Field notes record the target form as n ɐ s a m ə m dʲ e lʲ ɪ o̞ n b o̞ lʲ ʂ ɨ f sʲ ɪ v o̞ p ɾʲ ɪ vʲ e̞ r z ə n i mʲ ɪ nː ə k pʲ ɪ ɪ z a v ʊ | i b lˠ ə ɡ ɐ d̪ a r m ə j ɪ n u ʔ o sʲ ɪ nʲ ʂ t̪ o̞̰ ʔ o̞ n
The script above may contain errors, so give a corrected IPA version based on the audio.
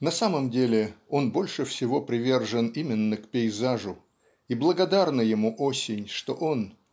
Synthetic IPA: n ɐ s a m ə m dʲ e lʲ ɪ o̞ n b o̞ lʲ ʂ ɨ f sʲ ɪ v o̞ p ɾʲ ɪ vʲ e̞ r ʐ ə n i mʲ ɪ nː ə k pʲ ɪ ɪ z a ʐ ʊ | i b lˠ ə ɡ ɐ d̪ a r n ə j ɪ m u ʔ o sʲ ɪ nʲ ʂ t̪ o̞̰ ʔ o̞ n